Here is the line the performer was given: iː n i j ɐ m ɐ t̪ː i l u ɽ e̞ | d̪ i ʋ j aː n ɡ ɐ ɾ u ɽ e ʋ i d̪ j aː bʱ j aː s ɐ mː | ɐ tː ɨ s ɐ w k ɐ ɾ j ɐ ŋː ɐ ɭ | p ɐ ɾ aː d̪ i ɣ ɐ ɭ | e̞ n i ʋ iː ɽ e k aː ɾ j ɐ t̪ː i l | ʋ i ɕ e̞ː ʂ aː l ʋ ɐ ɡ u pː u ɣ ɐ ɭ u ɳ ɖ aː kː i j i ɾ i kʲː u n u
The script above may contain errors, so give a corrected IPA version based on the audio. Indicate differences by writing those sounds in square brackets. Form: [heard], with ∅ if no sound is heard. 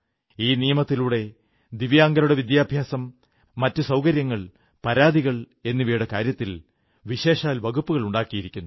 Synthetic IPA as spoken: iː n i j ɐ m ɐ t̪ː i l u ɽ e̞ | d̪ i ʋ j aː [ŋ] ɡ ɐ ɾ u ɽ e ʋ i d̪ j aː bʱ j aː s ɐ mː | ɐ tː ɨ s ɐ w k ɐ ɾ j ɐ ŋː ɐ ɭ | p ɐ ɾ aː d̪ i ɣ ɐ ɭ | e̞ [nː] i ʋ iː ɽ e k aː ɾ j ɐ t̪ː i l | ʋ i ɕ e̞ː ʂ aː l ʋ ɐ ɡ u pː u ɣ ɐ ɭ u ɳ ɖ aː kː i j i ɾ i kʲː u [nː] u